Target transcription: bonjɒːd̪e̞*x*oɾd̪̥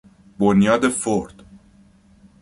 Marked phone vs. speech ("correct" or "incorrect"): incorrect